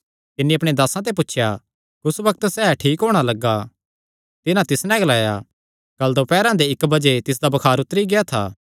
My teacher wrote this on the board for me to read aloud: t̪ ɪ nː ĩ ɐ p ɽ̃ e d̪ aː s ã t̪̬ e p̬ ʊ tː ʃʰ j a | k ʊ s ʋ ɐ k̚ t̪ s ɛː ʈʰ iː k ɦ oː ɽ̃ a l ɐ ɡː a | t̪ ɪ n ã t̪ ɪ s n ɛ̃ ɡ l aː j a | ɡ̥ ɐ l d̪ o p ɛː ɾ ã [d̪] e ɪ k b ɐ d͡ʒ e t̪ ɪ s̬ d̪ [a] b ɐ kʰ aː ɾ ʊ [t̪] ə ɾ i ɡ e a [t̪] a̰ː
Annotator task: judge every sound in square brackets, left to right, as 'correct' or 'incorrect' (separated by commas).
correct, correct, correct, incorrect